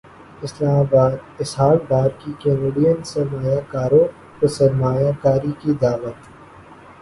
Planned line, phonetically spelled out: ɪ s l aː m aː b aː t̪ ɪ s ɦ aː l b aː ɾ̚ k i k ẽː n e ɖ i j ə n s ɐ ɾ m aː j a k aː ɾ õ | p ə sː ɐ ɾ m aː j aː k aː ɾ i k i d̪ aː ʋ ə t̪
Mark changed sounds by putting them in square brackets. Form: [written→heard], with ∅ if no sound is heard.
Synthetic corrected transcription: ɪ s l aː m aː b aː [t̪→d̪] ɪ s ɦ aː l b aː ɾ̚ k i k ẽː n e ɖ i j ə n s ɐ ɾ m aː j a k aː ɾ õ | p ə [sː→s] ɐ ɾ m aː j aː k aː ɾ i k i d̪ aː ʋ ə t̪